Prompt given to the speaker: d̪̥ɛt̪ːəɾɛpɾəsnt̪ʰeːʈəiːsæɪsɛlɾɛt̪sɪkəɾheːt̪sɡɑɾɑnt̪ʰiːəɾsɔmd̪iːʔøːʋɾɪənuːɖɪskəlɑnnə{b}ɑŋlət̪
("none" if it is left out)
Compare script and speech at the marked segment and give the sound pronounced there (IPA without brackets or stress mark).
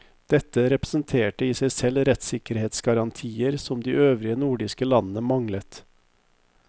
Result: m